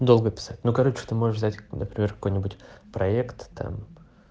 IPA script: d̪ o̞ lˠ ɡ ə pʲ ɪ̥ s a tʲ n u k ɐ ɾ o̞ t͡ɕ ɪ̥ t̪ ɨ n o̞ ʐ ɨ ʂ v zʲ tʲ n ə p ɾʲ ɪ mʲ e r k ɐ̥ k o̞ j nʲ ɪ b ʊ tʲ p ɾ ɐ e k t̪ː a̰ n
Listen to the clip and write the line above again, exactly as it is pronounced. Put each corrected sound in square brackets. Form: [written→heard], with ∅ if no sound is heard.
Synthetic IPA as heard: d̪ o̞ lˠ ɡ ə pʲ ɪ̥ s a tʲ n u k ɐ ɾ o̞ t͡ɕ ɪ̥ t̪ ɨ [n→m] o̞ ʐ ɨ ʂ v zʲ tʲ n ə p ɾʲ ɪ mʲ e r k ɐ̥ k o̞ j nʲ ɪ b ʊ tʲ p ɾ ɐ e k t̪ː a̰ [n→m]

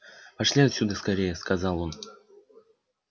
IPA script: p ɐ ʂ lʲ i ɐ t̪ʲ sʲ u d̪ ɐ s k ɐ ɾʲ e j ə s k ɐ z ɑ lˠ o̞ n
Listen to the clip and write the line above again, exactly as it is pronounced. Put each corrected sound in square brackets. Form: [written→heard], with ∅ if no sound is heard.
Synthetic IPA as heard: p ɐ ʂ lʲ i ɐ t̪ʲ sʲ u d̪ [ɐ→ə] s k ɐ ɾʲ e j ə s k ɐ z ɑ lˠ o̞ n

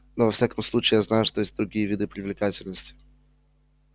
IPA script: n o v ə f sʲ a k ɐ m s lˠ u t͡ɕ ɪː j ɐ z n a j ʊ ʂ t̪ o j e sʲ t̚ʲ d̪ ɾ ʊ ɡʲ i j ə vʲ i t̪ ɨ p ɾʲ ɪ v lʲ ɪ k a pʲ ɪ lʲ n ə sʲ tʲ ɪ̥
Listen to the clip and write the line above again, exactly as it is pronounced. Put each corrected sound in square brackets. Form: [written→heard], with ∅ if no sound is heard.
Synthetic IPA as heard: n o v [ə→ɐ] f sʲ a k [ɐ→ə] m s lˠ u t͡ɕ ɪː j [ɐ→a] z n a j ʊ ʂ t̪ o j e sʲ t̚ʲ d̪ ɾ ʊ ɡʲ i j ə vʲ i [t̪→d̪] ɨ p ɾʲ ɪ v lʲ ɪ k a [pʲ→tʲ] ɪ lʲ n ə sʲ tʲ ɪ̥

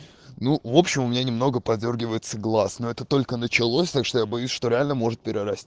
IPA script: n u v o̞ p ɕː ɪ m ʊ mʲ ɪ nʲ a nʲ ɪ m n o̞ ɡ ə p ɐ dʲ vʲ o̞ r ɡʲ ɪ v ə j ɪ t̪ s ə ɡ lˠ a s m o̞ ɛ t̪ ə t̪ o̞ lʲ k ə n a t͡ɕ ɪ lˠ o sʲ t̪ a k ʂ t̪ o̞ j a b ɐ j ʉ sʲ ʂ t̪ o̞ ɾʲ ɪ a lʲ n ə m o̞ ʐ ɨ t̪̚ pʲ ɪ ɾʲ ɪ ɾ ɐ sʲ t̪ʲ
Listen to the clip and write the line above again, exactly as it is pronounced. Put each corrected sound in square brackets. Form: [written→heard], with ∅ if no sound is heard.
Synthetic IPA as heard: n u v o̞ p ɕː ɪ m ʊ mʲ ɪ nʲ a nʲ ɪ m n o̞ ɡ ə p ɐ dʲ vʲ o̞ r ɡʲ ɪ v ə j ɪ t̪ s ə ɡ lˠ a s [m→n] o̞ ɛ t̪ ə t̪ o̞ lʲ k ə n [a→ə] t͡ɕ ɪ lˠ o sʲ t̪ a k ʂ t̪ o̞ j a b ɐ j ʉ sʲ ʂ t̪ o̞ ɾʲ ɪ a lʲ n ə m o̞ ʐ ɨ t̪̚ pʲ ɪ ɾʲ ɪ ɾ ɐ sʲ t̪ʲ

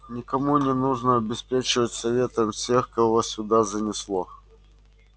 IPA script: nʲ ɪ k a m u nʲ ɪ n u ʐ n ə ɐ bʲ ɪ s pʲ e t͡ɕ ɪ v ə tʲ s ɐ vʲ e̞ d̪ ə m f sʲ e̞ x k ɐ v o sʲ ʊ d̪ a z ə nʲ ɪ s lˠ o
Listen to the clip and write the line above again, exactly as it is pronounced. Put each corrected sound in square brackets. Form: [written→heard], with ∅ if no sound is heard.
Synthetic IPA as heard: nʲ ɪ k [a→ɐ] m u nʲ ɪ n u ʐ n ə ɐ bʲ ɪ s pʲ e t͡ɕ ɪ v ə tʲ s ɐ vʲ e̞ [d̪→t̪] ə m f sʲ e̞ x k ɐ v o sʲ ʊ d̪ a z ə nʲ ɪ s lˠ o

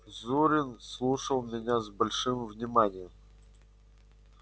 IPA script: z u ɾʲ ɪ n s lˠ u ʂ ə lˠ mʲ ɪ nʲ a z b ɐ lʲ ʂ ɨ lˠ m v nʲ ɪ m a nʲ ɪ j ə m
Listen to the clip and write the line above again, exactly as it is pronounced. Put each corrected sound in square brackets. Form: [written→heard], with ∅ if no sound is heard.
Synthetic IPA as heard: z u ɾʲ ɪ n s lˠ u ʂ ə lˠ mʲ ɪ nʲ a z b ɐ lʲ ʂ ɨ [lˠ→∅] m v nʲ ɪ m a nʲ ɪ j ə m

